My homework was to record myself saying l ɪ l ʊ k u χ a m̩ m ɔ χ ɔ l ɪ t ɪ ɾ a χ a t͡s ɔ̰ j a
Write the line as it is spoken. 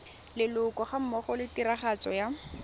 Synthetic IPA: l ɪ l ʊ k ɔ χ a m̩ m ɔ χ ɔ l ɪ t i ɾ a χ a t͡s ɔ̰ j a